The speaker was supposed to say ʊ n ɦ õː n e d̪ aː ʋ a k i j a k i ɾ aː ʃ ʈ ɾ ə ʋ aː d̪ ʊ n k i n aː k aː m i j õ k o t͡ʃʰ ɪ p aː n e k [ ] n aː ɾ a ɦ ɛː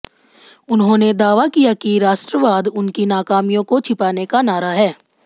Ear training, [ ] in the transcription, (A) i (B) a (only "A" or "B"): B